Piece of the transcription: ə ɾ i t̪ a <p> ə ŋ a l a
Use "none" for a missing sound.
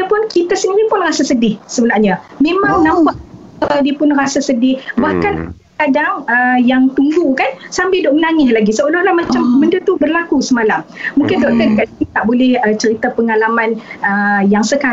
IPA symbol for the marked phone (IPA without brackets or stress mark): p